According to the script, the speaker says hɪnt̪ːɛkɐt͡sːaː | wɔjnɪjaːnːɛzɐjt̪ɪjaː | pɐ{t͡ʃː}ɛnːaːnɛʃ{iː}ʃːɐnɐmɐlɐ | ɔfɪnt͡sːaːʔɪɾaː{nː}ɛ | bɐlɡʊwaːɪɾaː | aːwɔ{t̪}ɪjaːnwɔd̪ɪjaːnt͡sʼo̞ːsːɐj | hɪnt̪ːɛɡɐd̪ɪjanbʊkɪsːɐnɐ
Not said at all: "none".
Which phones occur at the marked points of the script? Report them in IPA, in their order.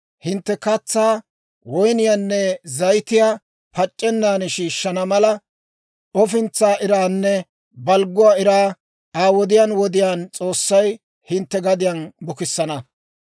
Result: t͡ʃʼː, iː, nː, d̪

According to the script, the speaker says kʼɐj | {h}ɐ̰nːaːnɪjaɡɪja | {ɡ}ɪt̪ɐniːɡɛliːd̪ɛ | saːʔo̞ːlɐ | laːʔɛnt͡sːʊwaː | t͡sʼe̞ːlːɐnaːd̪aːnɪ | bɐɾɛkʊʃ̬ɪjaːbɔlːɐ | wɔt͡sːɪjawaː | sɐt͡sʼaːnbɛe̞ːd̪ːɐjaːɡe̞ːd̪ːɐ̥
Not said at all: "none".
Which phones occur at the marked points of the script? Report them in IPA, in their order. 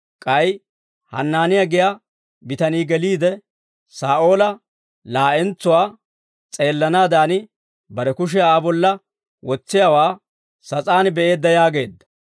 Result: h, b

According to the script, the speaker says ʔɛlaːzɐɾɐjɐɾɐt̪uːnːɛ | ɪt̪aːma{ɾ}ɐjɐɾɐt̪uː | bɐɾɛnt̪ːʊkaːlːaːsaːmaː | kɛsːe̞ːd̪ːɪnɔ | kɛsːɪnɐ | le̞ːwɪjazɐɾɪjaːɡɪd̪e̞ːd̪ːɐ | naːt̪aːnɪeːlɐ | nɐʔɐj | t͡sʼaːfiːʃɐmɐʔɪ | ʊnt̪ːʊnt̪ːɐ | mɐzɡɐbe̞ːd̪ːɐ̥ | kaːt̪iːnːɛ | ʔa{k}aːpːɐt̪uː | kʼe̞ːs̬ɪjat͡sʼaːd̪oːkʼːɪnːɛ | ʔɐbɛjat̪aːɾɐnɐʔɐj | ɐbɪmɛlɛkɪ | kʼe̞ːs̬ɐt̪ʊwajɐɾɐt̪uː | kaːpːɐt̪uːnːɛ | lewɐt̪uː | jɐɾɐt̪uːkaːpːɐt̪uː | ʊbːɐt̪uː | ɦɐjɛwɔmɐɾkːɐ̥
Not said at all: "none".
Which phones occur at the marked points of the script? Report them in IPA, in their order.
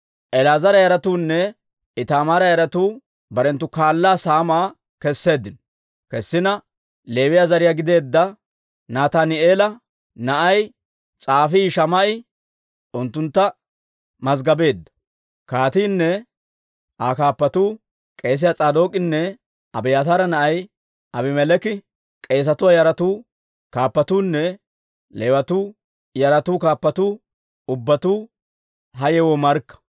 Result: ɾ, k

